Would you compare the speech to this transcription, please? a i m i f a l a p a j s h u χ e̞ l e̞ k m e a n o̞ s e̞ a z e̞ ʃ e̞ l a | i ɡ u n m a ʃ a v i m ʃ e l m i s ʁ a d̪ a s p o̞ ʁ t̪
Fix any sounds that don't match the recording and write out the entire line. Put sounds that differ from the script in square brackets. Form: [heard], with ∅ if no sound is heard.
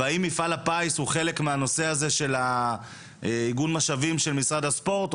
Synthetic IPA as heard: a i m i f a l a p a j s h u χ e̞ l e̞ k m e a n o̞ s e̞ a z e̞ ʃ e̞ l a | i ɡ u n m a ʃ a v i m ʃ e l m i s ʁ a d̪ a s p o̞ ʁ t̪